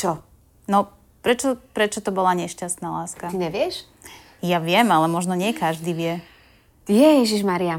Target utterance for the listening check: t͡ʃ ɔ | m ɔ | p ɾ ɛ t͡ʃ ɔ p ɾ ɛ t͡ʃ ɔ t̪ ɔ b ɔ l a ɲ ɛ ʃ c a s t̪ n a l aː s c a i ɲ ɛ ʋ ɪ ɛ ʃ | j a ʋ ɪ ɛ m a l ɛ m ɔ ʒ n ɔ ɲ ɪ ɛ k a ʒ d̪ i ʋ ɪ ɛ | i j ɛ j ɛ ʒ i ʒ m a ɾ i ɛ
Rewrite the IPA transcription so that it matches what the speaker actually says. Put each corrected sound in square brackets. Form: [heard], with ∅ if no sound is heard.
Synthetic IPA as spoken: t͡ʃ ɔ | [n] ɔ | p ɾ ɛ t͡ʃ ɔ p ɾ ɛ t͡ʃ ɔ t̪ ɔ b ɔ l a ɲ ɛ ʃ c a s t̪ n a l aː s [k] a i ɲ ɛ ʋ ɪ ɛ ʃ | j a ʋ ɪ ɛ m a l ɛ m ɔ ʒ n ɔ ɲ ɪ ɛ k a ʒ d̪ i ʋ ɪ ɛ | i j ɛ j ɛ ʒ i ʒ m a ɾ i [a]